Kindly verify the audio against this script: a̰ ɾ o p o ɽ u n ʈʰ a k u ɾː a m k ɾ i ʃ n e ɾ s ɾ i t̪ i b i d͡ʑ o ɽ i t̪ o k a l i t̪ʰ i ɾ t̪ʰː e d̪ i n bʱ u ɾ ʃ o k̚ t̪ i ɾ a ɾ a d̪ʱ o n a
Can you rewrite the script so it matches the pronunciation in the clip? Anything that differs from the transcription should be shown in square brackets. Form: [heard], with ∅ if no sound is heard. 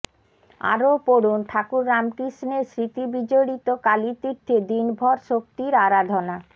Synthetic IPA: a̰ ɾ o p o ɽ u n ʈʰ a k u ɾː a m k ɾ i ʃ n e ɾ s ɾ i t̪ i b i d͡ʑ o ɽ i t̪ o k a l i [t̪] i ɾ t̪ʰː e d̪ i n bʱ [ɔ] ɾ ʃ o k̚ t̪ i ɾ a ɾ a d̪ʱ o n a